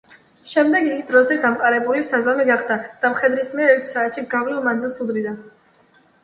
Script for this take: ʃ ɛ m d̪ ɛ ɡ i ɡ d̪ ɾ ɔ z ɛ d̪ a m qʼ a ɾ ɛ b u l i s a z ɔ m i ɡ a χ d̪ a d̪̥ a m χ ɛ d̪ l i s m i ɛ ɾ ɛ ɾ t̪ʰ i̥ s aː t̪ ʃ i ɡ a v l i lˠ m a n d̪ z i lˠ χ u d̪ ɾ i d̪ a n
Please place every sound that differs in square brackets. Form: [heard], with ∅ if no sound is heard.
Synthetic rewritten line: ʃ ɛ m d̪ ɛ ɡ i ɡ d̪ ɾ ɔ z ɛ d̪ a m qʼ a ɾ ɛ b u l i s a z ɔ m i ɡ a χ d̪ a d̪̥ a m χ ɛ d̪ [ɾ] i s m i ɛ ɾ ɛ ɾ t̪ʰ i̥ s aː t̪ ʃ i ɡ a v l i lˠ m a n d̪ z i lˠ [s] u d̪ ɾ i d̪ a n